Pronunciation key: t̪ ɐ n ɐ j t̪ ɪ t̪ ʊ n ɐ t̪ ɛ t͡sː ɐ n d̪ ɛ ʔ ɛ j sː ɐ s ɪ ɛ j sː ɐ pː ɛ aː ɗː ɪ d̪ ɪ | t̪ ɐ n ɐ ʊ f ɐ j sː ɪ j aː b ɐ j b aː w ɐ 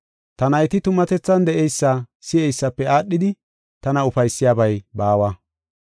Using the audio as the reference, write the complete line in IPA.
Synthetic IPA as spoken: t̪ ɐ n ɐ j t̪ ɪ t̪ ʊ m ɐ t̪ ɛ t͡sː ɐ n d̪ ɛ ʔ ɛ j sː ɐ s ɪ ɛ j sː ɐ pː ɛ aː ɗː ɪ d̪ ɪ | t̪ ɐ n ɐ ʊ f ɐ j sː ɪ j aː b ɐ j b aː w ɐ

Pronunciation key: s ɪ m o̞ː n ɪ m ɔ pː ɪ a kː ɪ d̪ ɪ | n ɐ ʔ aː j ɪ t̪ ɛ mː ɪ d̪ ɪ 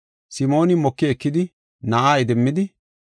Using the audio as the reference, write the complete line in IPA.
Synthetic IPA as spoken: s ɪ m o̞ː n ɪ m ɔ kː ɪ ɛ kː ɪ d̪ ɪ | n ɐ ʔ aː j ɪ d̪ ɛ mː ɪ d̪ ɪ

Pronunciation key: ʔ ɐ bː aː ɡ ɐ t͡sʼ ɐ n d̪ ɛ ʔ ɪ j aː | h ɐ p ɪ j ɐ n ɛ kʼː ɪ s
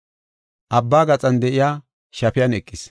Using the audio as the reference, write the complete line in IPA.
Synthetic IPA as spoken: ʔ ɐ bː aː ɡ ɐ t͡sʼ ɐ n d̪ ɛ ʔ ɪ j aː | ʃ ɐ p ɪ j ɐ n ɛ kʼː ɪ s

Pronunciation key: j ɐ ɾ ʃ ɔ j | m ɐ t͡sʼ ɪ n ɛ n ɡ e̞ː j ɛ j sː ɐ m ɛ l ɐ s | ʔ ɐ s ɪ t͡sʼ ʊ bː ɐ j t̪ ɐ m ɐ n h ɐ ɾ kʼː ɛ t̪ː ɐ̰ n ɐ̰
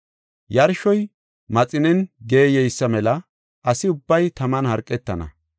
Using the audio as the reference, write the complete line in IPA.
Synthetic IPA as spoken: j ɐ ɾ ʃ ɔ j | m ɐ t͡sʼ ɪ n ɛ n ɡ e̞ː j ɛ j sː ɐ m ɛ l ɐ | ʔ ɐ s ɪ ʊ bː ɐ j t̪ ɐ m ɐ n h ɐ ɾ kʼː ɛ t̪ː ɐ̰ n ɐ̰

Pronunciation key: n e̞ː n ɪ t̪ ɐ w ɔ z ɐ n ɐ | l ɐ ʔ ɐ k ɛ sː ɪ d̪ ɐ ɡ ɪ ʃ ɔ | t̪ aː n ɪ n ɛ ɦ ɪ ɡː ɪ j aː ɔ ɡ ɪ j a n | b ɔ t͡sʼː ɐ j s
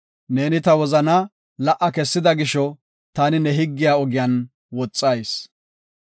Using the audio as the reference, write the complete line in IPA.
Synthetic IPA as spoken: n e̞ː n ɪ t̪ ɐ w ɔ z ɐ n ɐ | l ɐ ʔ ɐ k ɛ sː ɪ d̪ ɐ ɡ ɪ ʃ ɔ | t̪ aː n ɪ n ɛ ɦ ɪ ɡː ɪ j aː ɔ ɡ ɪ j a n | w ɔ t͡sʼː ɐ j s

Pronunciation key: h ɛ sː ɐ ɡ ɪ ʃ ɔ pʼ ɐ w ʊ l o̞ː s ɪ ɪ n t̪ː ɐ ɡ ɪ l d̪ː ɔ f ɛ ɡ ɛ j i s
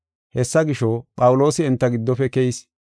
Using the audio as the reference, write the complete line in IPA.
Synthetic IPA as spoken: h ɛ sː ɐ ɡ ɪ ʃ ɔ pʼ ɐ w ʊ l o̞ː s ɪ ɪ n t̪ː ɐ ɡ ɪ d̪ː ɔ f ɛ k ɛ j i s

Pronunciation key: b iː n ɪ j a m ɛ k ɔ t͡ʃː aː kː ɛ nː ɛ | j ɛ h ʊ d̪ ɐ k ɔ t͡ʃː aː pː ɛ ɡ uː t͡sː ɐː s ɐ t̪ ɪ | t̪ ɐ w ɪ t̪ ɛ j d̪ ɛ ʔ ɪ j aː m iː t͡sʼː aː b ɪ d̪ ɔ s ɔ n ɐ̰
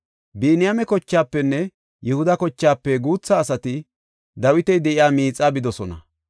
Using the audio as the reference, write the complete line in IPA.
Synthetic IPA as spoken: b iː n ɪ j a m ɛ k ɔ t͡ʃː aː pː ɛ nː ɛ | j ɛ h ʊ d̪ ɐ k ɔ t͡ʃː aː pː ɛ ɡ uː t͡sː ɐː s ɐ t̪ ɪ | d̪ ɐ w ɪ t̪ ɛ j d̪ ɛ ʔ ɪ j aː m iː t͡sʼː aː b ɪ d̪ ɔ s ɔ n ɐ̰

